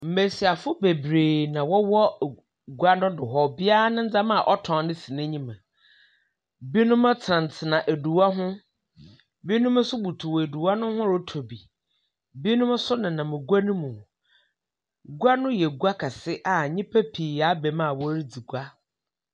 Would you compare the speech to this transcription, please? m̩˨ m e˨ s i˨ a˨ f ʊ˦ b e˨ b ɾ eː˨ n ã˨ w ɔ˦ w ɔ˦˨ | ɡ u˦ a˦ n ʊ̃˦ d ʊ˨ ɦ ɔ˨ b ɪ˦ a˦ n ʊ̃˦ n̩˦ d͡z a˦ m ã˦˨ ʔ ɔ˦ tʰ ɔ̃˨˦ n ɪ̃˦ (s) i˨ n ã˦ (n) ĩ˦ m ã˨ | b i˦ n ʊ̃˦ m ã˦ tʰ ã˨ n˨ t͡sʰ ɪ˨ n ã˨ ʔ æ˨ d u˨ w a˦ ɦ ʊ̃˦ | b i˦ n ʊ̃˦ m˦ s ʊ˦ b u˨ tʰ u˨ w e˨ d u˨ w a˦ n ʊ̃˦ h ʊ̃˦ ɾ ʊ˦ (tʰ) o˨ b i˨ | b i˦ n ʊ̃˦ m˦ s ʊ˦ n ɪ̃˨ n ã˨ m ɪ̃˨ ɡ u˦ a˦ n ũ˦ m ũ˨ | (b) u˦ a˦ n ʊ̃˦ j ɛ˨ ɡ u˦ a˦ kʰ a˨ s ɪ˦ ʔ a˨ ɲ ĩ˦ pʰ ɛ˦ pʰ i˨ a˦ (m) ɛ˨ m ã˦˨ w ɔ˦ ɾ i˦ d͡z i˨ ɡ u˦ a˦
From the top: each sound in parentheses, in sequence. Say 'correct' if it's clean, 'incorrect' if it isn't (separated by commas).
correct, incorrect, correct, incorrect, incorrect